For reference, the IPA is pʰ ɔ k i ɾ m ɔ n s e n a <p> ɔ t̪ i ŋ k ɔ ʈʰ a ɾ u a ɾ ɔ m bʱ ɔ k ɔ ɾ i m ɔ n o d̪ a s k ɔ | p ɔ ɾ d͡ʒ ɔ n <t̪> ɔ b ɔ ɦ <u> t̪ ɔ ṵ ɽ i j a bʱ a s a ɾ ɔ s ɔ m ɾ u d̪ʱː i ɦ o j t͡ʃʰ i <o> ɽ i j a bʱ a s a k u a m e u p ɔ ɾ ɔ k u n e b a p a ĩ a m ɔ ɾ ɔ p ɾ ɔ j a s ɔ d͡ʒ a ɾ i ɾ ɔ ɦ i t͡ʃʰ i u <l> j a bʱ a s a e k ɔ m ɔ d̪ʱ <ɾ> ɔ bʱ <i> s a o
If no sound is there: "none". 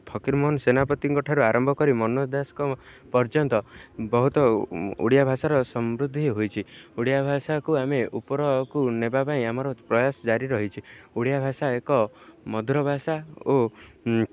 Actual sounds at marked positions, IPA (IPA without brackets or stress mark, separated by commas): p, t̪, u, u, ɽ, ɾ, a